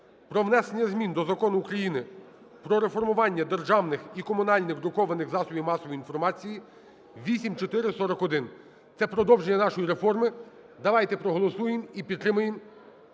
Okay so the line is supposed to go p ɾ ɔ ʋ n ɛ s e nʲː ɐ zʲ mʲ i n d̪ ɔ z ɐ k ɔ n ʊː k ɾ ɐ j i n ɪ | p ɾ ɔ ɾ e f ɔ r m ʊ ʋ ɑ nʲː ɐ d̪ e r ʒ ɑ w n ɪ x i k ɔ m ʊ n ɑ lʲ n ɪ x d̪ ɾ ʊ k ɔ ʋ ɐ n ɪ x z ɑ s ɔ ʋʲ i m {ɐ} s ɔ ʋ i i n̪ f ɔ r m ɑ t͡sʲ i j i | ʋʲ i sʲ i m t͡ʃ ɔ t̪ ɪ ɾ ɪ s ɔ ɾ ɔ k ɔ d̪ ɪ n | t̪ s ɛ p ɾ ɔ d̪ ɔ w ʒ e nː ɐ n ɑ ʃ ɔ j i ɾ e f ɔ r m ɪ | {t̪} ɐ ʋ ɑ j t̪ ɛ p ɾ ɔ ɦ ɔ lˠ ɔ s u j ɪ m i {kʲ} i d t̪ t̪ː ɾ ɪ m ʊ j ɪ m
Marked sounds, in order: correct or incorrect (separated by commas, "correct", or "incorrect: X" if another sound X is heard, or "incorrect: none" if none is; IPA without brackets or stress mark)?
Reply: incorrect: ɑ, incorrect: d̪, incorrect: pʲ